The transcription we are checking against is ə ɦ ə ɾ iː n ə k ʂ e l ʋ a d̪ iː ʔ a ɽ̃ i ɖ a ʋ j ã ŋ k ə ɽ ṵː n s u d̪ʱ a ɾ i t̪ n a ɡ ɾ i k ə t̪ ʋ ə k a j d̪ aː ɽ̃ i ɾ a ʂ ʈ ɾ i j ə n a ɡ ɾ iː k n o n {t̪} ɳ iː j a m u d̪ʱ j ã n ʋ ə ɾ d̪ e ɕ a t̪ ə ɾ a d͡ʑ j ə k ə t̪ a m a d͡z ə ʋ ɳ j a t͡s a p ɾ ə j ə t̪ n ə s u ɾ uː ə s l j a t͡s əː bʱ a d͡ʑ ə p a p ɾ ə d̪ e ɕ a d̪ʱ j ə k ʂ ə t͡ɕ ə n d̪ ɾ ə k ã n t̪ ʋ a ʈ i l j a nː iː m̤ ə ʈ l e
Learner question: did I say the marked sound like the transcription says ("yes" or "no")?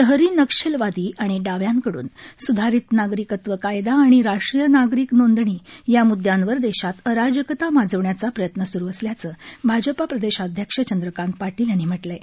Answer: no